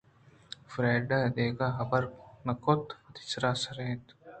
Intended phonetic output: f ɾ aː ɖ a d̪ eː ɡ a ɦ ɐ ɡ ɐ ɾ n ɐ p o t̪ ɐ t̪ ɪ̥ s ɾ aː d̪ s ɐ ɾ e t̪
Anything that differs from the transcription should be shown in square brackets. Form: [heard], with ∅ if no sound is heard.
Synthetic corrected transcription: f ɾ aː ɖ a d̪ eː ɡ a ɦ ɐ [b] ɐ ɾ n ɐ [k] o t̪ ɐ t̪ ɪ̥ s ɾ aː [∅] s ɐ ɾ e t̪